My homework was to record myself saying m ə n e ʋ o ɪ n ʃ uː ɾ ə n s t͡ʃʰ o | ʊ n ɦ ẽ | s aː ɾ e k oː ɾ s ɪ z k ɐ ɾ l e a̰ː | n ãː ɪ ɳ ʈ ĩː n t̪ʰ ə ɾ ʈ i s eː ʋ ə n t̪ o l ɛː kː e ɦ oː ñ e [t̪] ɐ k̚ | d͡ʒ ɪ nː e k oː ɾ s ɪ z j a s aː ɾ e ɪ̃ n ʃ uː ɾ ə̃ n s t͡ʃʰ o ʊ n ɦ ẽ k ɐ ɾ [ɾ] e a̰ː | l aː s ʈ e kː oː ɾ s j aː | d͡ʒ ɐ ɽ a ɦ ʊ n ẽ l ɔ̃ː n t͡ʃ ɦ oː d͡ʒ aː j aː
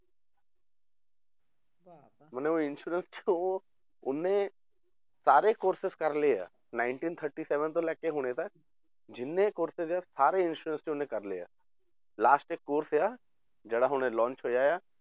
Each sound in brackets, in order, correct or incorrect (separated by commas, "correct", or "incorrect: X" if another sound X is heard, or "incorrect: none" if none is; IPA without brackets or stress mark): correct, incorrect: l